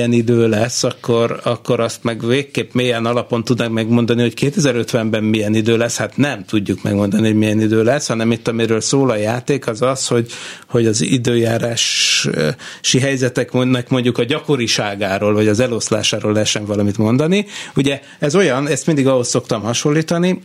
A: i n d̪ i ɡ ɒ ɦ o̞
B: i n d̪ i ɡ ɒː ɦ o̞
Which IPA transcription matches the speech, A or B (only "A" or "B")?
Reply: A